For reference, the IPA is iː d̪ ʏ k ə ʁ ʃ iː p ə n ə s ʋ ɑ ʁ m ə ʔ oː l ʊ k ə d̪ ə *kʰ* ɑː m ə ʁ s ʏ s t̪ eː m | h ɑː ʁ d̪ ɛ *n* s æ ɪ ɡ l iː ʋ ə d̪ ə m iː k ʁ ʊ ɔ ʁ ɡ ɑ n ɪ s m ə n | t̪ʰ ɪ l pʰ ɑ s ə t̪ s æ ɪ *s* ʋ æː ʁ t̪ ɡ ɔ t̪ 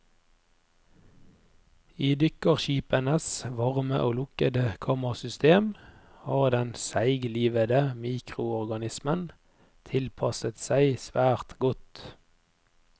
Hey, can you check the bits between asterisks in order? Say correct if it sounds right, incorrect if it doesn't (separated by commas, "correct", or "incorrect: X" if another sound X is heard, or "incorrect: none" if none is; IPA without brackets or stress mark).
correct, correct, correct